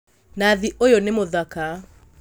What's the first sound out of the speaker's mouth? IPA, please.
n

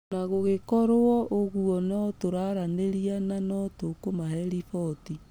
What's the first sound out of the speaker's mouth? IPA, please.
n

